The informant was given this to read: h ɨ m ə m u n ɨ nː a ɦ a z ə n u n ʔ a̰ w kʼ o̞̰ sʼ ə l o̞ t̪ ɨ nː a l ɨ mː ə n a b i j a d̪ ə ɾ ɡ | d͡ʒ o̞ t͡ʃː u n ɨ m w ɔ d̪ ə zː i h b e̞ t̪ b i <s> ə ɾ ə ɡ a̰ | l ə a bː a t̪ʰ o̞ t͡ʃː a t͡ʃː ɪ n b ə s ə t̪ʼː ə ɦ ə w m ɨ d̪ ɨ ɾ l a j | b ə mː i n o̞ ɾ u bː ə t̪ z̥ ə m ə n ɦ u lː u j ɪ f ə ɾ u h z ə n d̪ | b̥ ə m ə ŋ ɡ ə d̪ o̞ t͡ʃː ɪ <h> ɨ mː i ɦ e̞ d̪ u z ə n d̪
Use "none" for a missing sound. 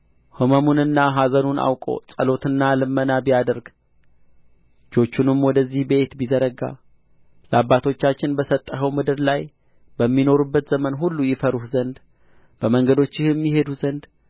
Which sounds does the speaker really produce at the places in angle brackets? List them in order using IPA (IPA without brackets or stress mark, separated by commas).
z, h